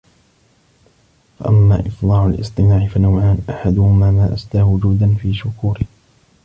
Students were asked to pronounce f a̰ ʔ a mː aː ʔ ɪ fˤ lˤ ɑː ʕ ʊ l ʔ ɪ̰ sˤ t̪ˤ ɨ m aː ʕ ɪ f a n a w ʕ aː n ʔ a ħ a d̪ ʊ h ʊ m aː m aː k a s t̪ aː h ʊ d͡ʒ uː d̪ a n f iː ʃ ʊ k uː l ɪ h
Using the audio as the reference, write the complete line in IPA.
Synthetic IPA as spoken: f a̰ ʔ a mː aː ʔ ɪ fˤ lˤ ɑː ʕ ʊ l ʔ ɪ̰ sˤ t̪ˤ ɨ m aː ʕ ɪ f a n a w ʕ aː n ʔ a ħ a d̪ ʊ h ʊ m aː m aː ʔ a s t̪ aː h ʊ d͡ʒ uː d̪ a n f iː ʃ ʊ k uː ɾ ɪ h